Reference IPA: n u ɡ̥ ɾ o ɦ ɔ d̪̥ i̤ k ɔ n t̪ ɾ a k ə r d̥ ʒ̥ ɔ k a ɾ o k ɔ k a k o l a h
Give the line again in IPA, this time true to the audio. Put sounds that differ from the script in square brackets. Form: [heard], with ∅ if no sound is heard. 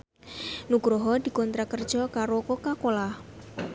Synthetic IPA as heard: n u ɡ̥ ɾ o ɦ ɔ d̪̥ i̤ k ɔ n t̪ ɾ a k ə r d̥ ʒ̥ ɔ k a ɾ o k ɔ k a k o l a h